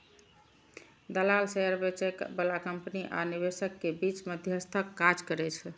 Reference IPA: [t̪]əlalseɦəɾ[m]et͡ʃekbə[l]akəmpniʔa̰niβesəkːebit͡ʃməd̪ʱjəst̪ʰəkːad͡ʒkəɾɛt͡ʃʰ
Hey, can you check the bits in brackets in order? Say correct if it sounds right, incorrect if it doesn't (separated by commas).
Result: incorrect, incorrect, correct